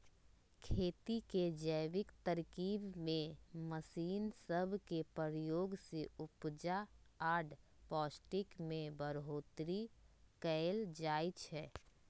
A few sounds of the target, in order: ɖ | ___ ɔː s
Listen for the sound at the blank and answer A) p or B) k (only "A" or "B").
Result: A